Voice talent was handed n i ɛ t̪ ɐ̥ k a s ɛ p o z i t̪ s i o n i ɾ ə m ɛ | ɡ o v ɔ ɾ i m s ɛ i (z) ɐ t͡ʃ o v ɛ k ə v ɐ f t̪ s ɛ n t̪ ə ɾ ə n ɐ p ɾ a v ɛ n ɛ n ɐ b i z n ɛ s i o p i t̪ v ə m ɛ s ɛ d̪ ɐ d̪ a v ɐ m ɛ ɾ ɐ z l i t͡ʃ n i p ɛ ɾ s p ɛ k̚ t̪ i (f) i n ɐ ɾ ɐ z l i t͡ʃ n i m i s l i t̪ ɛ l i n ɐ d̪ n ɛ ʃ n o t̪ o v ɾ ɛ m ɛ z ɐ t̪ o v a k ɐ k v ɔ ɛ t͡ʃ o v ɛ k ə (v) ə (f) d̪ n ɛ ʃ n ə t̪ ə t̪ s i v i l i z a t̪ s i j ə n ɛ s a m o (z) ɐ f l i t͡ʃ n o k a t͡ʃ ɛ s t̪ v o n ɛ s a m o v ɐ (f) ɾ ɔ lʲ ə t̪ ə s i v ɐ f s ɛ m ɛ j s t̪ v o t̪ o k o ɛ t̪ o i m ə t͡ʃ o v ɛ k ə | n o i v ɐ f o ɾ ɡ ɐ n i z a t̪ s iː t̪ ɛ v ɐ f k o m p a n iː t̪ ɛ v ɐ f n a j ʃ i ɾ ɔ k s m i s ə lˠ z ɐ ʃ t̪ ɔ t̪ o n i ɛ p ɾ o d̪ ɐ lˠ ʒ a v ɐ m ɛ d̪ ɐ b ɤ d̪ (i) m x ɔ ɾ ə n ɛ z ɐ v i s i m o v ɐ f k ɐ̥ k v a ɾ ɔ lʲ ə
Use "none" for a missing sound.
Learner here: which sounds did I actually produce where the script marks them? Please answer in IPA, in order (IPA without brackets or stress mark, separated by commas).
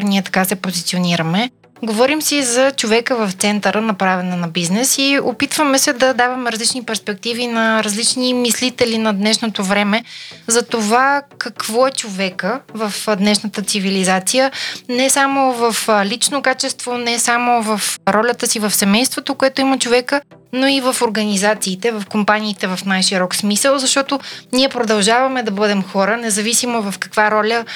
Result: z, v, v, f, v, f, ɛ